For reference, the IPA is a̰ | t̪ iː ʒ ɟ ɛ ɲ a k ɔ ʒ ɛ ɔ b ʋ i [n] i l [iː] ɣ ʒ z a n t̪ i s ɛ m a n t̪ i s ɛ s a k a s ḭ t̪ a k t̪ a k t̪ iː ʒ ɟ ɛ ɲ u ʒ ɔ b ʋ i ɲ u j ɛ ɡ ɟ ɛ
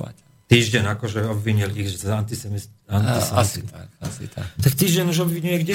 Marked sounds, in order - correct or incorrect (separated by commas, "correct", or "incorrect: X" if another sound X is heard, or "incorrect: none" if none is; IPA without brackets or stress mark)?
incorrect: ɲ, incorrect: i